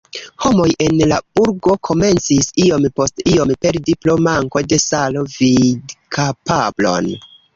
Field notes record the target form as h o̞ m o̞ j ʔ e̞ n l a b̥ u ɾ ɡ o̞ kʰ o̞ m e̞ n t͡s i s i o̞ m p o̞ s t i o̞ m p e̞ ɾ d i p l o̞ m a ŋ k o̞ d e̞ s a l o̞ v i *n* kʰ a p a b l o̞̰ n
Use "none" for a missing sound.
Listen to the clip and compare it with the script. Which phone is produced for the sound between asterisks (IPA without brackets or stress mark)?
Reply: d